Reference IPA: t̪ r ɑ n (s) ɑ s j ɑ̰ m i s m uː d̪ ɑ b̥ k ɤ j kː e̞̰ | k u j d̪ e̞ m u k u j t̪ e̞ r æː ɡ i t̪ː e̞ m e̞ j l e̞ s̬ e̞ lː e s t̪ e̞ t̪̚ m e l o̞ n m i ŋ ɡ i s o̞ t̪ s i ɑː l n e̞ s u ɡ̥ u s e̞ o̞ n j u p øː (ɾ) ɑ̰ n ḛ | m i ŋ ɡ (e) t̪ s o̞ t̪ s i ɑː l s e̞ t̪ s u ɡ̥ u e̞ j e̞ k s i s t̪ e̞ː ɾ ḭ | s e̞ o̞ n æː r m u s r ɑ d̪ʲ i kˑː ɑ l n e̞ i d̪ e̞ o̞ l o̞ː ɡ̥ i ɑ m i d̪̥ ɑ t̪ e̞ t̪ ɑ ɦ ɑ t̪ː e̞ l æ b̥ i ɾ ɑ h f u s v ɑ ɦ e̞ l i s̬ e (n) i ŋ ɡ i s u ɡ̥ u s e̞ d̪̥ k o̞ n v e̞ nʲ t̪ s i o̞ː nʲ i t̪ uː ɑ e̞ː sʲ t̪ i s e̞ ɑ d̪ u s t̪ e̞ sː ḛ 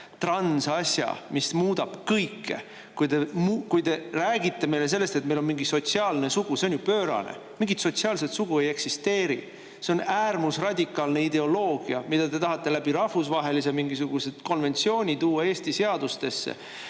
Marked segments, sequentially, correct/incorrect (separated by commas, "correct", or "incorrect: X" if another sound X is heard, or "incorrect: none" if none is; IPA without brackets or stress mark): correct, correct, incorrect: i, incorrect: m